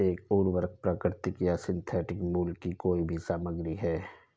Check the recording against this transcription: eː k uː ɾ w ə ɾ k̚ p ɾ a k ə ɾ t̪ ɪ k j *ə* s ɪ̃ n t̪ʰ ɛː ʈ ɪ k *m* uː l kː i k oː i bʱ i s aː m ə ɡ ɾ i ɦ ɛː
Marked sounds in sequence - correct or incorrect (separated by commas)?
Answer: incorrect, correct